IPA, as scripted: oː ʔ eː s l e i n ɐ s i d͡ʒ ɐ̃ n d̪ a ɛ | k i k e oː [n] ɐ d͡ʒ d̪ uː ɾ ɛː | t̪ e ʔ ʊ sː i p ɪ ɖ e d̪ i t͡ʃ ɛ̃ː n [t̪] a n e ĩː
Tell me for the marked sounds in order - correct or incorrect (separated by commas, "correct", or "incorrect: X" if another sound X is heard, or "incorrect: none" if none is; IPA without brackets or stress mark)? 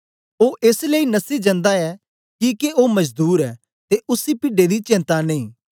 incorrect: m, correct